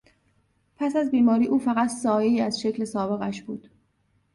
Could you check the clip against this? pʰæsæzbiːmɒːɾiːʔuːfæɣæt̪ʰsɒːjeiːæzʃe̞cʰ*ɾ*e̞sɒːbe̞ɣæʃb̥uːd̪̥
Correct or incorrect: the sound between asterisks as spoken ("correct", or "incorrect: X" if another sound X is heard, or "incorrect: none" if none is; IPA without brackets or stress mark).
incorrect: l